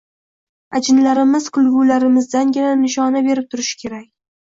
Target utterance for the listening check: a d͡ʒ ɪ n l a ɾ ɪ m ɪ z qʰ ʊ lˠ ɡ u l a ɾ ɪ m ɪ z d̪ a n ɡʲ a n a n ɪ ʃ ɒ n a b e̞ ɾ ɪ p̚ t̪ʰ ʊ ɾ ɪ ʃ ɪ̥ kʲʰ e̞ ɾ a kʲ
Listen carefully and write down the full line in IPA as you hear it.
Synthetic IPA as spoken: a d͡ʒ ɪ n l a ɾ ɪ m ɪ z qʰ ʊ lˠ ɡ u l a ɾ ɪ m ɪ z d̪ a n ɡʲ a n a n ɪ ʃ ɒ n a b e̞ ɾ ɪ p̚ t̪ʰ ʊ ɾ ɪ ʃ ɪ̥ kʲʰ e̞ ɾ a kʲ